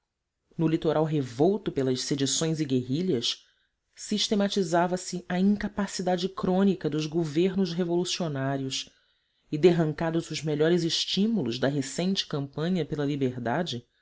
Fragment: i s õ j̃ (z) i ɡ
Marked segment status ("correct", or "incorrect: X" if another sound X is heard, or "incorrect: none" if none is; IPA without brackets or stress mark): correct